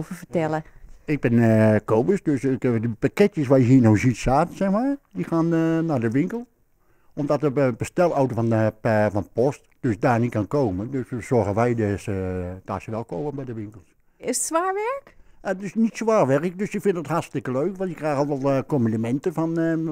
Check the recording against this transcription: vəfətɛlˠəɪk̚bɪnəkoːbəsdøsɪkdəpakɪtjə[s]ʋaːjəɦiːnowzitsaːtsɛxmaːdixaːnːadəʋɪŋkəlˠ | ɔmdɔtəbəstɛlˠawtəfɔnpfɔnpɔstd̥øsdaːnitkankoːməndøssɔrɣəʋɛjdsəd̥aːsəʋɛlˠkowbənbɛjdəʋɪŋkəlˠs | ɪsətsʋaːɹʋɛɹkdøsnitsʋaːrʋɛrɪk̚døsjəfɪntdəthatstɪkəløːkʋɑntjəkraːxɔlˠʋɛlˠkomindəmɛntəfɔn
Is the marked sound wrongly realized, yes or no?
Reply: no